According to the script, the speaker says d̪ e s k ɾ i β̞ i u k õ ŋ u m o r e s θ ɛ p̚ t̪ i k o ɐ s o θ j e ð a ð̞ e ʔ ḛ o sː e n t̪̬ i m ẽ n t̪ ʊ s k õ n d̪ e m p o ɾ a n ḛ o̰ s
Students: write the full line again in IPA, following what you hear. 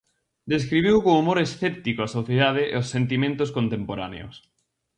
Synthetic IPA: d̪ e s k ɾ i β̞ i w k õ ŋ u m o ɾ e s θ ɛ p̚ t̪ i k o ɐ s o θ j e ð a ð̞ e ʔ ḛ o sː e n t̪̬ i m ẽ n t̪ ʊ s k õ n t̪ e m p o ɾ a n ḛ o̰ s